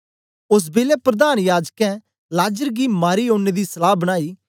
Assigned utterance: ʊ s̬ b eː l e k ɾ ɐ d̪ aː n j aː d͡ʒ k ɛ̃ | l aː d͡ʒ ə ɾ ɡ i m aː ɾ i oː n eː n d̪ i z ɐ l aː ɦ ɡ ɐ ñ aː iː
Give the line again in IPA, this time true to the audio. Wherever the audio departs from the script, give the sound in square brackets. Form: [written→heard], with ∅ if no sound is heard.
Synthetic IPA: ʊ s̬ b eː l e [k→p] ɾ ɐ d̪ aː n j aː d͡ʒ k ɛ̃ | l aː d͡ʒ ə ɾ ɡ i m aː ɾ i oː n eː [n→∅] d̪ i [z→s] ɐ l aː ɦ [ɡ→b] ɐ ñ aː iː